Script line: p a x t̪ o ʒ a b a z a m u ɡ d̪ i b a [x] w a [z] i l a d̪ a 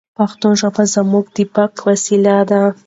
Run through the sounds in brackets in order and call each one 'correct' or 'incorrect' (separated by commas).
incorrect, incorrect